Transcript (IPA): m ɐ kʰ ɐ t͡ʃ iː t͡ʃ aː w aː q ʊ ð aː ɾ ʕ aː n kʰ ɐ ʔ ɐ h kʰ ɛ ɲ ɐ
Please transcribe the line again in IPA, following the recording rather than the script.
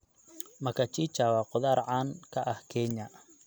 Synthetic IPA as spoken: m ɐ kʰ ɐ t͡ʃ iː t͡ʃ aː w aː q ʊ ð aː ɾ ʕ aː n kʰ ɐ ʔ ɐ h kʰ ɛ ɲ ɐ